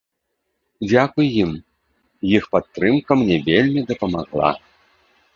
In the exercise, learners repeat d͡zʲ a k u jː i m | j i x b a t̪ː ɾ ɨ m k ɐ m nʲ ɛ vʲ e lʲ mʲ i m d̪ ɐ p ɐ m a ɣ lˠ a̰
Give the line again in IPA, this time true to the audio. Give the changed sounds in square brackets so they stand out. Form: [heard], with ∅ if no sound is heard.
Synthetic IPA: d͡zʲ a k u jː i m | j i x [p] a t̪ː ɾ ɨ m k ɐ m nʲ ɛ vʲ e lʲ mʲ i [∅] d̪ ɐ p ɐ m a ɣ lˠ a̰